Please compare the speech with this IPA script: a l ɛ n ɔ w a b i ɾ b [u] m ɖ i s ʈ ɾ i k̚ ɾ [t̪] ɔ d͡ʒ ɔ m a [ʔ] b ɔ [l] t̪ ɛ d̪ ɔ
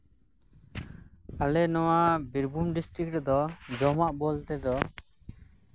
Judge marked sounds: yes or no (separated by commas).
yes, no, yes, yes